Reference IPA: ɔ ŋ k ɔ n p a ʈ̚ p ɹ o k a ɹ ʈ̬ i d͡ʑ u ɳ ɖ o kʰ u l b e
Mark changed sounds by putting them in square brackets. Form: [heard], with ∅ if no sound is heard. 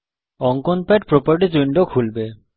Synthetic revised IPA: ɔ ŋ k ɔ n p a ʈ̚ p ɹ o [p] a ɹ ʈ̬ i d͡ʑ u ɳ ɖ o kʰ u l b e